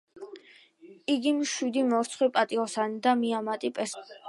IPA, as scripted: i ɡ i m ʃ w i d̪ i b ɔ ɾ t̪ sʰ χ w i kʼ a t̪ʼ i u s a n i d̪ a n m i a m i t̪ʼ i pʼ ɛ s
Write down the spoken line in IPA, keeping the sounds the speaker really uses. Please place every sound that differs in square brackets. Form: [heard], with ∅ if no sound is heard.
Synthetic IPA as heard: i ɡ i m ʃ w i d̪ i [m] ɔ ɾ t̪ sʰ χ w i [pʼ] a t̪ʼ i [ɔ] s a n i d̪ a [∅] m i a m [a] t̪ʼ i pʼ ɛ s